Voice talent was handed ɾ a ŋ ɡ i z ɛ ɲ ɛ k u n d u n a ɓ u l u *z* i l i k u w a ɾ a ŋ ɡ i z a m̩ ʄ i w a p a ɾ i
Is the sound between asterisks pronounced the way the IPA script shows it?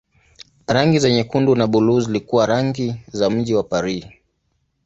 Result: yes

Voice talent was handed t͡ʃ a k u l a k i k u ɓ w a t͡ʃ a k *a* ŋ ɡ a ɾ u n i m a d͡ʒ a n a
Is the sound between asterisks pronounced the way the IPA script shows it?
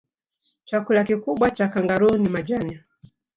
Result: yes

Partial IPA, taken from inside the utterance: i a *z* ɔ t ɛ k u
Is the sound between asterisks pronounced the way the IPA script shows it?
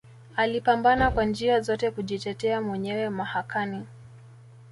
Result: yes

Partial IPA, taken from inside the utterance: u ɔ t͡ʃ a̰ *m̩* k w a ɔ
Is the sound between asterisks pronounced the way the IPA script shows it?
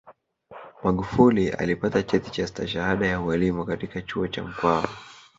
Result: yes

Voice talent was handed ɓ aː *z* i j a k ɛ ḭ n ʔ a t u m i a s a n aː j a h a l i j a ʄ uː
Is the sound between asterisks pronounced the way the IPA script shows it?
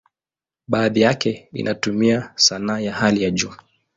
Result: no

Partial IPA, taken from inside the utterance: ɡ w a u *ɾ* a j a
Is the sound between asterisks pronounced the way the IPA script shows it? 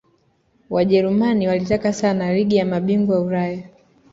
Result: yes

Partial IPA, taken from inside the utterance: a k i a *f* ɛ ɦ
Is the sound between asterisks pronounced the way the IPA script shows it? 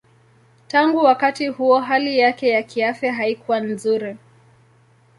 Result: yes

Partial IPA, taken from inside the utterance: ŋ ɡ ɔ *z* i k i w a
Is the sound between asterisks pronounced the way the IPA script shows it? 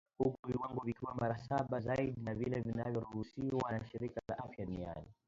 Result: no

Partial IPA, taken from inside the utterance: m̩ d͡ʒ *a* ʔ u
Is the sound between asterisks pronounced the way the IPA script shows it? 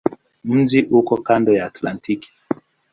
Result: no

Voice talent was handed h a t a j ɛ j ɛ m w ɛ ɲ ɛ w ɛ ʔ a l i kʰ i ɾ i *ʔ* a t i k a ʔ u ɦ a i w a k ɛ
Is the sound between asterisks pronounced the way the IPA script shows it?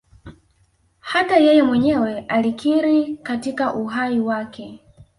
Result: no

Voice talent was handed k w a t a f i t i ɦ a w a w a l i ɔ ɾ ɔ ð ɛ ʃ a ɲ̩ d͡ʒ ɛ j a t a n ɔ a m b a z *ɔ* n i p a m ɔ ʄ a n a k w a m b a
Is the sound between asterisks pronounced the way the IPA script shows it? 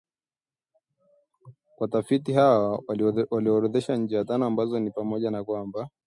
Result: yes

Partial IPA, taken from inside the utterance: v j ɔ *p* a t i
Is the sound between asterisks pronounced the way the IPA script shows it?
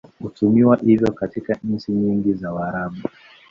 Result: no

